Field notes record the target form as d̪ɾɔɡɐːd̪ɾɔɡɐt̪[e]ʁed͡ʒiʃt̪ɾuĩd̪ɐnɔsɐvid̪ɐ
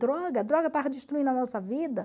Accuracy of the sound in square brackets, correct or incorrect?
incorrect